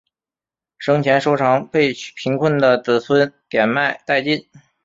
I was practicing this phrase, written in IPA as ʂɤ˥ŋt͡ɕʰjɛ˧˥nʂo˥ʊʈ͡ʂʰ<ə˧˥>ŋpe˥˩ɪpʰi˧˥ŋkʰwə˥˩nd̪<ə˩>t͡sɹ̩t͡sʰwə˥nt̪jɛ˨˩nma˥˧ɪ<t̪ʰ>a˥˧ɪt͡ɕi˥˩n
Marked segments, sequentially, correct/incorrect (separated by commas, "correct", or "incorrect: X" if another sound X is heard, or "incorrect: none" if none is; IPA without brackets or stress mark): incorrect: ɑ˧˥, correct, incorrect: t̪